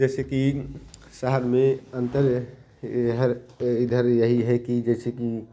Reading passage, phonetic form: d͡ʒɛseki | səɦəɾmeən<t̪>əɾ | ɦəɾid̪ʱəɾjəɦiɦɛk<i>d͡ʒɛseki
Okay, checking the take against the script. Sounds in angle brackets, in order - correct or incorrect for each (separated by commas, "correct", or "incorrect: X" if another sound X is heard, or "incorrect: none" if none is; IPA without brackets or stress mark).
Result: correct, correct